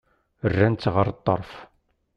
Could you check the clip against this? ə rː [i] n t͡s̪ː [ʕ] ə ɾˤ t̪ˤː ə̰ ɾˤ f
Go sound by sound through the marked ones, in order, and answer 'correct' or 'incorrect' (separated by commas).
incorrect, incorrect